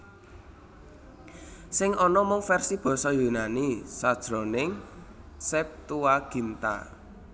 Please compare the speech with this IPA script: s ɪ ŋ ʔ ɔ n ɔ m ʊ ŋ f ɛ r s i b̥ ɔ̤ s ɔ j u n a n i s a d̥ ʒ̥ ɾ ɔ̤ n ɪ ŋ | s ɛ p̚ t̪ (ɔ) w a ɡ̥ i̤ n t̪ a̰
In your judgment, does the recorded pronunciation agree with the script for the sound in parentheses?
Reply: no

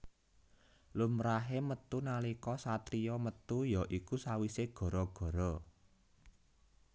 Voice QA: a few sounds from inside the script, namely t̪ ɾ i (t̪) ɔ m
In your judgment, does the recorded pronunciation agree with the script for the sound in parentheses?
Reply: no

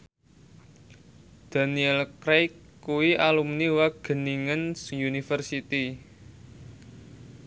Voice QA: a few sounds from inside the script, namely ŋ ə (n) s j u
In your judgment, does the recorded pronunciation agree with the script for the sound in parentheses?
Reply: yes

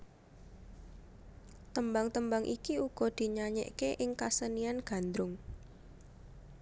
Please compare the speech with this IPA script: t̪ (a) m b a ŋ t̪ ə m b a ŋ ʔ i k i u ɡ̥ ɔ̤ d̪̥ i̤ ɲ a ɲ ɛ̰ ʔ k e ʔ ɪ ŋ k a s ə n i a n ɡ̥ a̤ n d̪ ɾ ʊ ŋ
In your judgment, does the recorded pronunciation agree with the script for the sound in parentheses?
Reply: no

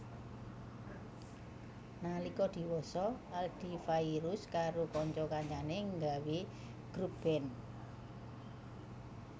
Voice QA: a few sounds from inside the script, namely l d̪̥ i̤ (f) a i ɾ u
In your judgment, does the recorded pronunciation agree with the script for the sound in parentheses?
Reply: yes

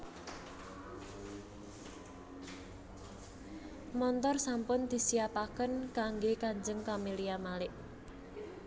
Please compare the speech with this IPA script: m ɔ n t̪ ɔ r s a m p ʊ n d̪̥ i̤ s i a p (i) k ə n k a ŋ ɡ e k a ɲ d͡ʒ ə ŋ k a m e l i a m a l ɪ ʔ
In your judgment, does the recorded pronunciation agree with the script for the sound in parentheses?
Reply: no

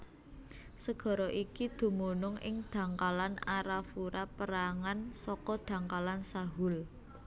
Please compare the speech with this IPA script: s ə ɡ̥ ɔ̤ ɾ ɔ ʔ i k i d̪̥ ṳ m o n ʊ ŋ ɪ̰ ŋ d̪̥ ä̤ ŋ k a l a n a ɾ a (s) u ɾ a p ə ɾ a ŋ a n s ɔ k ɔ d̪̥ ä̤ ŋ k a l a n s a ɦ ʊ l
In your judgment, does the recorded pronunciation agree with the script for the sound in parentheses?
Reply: no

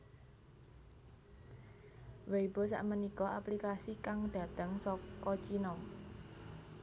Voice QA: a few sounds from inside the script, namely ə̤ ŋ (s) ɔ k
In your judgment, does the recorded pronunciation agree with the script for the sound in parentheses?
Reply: yes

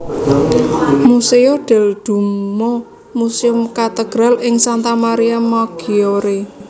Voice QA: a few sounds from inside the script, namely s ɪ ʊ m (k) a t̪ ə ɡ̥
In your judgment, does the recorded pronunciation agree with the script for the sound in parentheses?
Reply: yes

